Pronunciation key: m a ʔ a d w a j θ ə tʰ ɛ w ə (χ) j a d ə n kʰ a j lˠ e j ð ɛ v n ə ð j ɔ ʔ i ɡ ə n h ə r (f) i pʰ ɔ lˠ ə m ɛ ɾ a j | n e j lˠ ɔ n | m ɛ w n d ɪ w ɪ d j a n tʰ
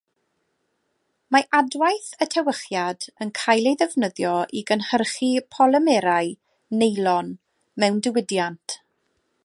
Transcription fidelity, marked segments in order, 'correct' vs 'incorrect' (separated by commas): correct, incorrect